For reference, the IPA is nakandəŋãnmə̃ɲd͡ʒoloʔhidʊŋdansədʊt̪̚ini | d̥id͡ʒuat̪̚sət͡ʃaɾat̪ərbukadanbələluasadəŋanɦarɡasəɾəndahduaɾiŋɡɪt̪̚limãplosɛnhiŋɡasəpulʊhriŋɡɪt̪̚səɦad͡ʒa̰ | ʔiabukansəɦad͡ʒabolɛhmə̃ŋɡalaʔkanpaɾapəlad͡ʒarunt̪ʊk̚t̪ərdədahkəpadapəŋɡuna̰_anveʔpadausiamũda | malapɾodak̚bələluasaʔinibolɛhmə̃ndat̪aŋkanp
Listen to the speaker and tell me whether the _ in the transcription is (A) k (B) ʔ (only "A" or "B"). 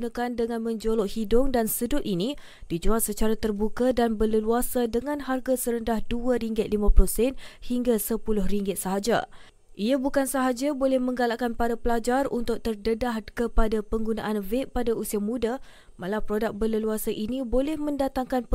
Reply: B